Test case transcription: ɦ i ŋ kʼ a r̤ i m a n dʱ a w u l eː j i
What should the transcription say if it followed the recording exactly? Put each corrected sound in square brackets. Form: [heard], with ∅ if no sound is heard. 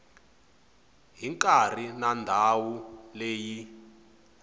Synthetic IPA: ɦ i ŋ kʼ a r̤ i [n] a n dʱ a w u l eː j i